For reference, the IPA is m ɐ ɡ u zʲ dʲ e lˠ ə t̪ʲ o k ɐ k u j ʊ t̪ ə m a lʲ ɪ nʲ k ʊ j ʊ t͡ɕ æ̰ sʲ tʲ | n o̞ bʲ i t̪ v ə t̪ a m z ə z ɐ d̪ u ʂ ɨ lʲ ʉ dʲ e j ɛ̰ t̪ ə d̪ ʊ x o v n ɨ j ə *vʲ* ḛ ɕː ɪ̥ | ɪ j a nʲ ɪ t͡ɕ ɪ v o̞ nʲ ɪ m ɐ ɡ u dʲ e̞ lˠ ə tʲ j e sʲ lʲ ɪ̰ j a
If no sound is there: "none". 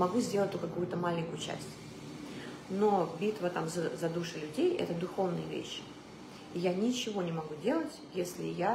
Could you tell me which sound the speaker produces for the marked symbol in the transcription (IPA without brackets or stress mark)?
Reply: vʲ